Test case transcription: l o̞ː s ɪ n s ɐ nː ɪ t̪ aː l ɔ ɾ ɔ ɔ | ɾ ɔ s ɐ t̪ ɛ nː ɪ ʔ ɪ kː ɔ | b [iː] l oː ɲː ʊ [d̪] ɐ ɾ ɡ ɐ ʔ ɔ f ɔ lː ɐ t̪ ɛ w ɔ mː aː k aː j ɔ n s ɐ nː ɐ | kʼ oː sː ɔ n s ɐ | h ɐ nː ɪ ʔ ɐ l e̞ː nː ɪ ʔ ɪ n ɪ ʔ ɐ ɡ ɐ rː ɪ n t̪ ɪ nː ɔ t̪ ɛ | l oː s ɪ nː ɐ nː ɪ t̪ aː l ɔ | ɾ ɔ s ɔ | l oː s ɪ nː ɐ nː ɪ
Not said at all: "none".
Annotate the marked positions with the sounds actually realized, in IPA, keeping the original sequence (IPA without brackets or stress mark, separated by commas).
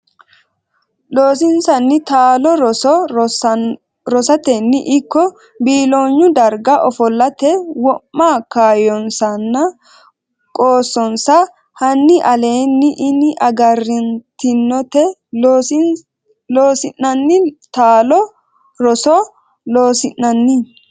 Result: iː, d̪